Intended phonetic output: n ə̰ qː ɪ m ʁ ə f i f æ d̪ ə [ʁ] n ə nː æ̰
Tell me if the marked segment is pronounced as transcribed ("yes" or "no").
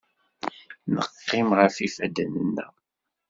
no